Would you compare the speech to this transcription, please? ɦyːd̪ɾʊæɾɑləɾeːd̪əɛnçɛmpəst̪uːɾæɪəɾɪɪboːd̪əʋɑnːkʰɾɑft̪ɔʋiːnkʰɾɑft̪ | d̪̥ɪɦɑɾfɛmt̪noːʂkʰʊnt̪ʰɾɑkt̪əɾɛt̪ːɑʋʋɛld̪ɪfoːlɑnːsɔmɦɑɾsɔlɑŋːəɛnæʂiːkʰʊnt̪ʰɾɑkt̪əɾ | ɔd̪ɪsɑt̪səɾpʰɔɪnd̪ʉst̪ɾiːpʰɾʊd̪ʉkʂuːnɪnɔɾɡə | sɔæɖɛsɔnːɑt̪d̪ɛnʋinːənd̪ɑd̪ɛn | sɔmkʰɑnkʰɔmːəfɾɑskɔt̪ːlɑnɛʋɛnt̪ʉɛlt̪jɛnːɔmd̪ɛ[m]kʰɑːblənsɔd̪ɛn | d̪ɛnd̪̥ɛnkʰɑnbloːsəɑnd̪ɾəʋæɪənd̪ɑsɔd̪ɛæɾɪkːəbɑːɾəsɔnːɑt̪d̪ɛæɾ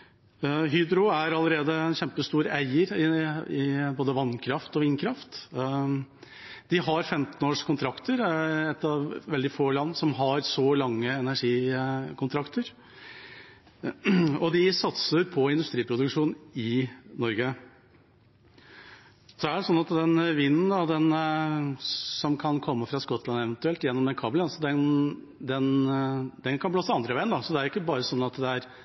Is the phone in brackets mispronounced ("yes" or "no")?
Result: yes